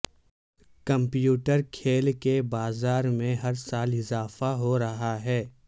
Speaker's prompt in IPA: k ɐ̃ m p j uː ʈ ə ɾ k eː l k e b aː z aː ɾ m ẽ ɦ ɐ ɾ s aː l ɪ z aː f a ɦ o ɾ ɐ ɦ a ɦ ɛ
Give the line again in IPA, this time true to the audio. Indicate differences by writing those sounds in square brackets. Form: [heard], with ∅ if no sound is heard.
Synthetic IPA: k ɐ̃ m p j uː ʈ ə ɾ [kʰ] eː l k e b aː z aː ɾ m ẽ ɦ ɐ ɾ s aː l ɪ z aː f a ɦ o ɾ ɐ ɦ a ɦ [ɛː]